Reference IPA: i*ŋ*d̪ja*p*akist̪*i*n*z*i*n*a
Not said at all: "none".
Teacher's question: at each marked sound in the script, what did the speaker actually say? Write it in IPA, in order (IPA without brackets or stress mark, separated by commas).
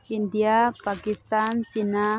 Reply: n, p, a, s, n